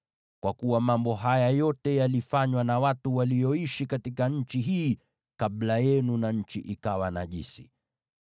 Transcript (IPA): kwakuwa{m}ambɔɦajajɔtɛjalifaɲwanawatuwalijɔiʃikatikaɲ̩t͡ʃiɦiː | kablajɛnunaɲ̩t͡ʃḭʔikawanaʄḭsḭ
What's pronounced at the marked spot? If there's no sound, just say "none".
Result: m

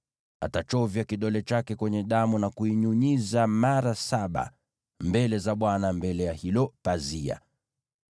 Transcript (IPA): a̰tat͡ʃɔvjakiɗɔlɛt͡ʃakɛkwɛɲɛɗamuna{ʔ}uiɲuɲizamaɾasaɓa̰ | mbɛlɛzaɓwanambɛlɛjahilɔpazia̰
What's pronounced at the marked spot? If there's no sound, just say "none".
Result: k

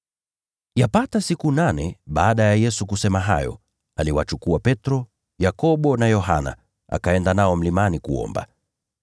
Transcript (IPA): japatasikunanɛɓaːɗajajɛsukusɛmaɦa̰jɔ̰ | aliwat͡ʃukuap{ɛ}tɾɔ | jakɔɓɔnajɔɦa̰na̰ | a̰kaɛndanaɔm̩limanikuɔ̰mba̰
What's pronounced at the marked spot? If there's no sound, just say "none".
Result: ɛ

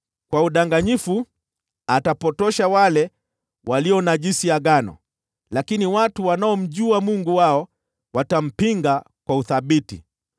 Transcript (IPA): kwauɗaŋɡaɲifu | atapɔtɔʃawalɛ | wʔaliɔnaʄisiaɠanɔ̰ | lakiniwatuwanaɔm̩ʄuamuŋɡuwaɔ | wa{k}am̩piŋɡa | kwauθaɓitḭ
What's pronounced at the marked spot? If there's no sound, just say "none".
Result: t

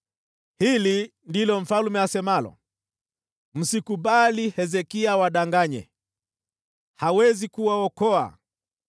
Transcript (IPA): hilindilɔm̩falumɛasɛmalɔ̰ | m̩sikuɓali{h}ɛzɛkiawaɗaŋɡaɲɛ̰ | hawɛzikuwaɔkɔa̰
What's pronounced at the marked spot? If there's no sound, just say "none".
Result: h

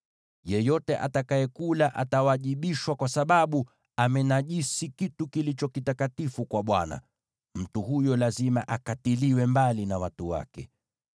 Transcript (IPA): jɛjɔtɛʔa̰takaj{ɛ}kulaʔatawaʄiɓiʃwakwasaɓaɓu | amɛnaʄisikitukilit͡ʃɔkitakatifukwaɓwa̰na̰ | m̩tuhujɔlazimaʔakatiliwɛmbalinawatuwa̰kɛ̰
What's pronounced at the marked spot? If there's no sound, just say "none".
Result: ɛ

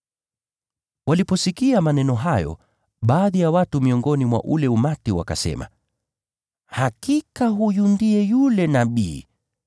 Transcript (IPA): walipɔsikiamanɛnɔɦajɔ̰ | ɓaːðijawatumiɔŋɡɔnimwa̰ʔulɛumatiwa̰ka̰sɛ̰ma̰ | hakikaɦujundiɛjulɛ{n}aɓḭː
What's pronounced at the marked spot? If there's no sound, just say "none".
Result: n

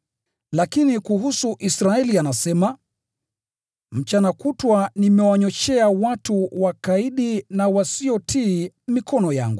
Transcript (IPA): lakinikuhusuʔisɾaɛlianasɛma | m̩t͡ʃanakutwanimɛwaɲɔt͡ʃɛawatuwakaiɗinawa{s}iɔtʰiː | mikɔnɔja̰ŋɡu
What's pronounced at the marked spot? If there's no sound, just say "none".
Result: s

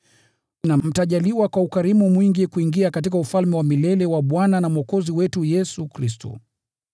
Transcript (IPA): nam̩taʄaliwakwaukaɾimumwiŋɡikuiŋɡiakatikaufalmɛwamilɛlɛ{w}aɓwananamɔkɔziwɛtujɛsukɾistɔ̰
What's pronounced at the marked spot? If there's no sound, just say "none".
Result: w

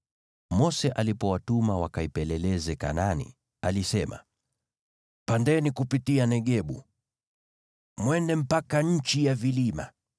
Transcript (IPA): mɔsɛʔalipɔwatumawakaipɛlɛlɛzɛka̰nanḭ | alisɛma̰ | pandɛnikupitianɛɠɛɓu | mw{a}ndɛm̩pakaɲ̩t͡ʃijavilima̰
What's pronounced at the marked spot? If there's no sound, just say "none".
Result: ɛ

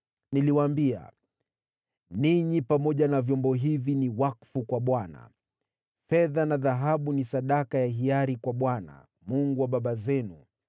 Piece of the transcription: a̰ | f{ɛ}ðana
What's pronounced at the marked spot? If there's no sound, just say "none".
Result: ɛ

